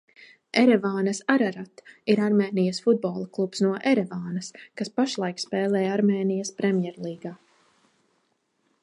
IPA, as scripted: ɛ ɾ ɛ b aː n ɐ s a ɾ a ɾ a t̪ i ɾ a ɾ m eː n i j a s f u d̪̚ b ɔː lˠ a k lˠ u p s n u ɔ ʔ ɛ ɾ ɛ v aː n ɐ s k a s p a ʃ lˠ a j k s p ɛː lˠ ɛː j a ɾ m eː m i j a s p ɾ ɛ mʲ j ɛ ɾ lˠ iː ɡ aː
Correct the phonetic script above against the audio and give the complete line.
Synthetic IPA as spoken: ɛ ɾ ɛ v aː n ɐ s a ɾ a ɾ a t̪ i ɾ a ɾ m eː n i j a s f u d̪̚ b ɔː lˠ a k lˠ u p s n u ɔ ʔ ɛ ɾ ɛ v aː n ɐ s k a s p a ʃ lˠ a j k s p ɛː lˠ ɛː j a ɾ m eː n i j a s p ɾ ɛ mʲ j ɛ ɾ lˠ iː ɡ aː